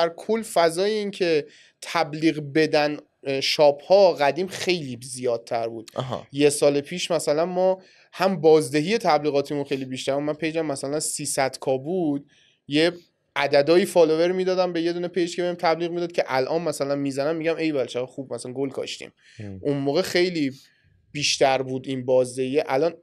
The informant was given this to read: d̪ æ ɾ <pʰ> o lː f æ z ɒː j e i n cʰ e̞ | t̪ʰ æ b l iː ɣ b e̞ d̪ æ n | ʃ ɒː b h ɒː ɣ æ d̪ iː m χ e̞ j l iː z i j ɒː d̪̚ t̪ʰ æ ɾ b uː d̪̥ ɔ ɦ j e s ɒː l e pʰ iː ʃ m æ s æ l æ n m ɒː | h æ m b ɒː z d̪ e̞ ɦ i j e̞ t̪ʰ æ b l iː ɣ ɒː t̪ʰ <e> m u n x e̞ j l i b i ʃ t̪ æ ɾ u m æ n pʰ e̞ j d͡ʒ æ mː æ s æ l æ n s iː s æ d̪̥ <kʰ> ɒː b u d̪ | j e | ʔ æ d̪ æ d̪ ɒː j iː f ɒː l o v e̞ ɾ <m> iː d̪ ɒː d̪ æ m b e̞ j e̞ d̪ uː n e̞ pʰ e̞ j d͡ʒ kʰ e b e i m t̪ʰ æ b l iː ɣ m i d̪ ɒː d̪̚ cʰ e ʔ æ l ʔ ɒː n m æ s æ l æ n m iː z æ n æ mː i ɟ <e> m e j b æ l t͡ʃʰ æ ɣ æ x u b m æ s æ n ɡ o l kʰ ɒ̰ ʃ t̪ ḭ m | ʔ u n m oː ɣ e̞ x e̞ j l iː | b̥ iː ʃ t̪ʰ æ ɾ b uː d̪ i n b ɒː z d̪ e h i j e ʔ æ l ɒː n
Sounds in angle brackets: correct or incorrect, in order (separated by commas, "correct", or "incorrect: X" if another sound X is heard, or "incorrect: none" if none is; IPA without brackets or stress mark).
incorrect: kʰ, incorrect: i, correct, correct, incorrect: æ